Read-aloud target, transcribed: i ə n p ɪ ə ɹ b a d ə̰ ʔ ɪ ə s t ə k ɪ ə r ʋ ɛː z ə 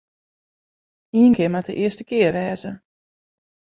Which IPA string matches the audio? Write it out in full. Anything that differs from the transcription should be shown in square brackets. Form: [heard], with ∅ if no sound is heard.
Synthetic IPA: i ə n [k] ɪ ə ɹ [m] a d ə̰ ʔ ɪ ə s t ə k ɪ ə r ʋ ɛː z ə